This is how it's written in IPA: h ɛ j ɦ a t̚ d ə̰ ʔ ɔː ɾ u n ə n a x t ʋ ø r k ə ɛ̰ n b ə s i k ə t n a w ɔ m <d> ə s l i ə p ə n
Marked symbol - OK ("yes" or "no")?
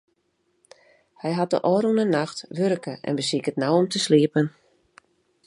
no